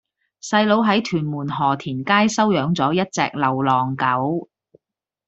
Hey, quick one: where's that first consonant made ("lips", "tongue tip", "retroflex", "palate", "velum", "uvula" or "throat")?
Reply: tongue tip